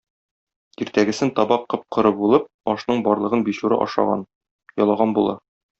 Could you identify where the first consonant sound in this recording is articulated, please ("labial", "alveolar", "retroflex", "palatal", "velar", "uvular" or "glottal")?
alveolar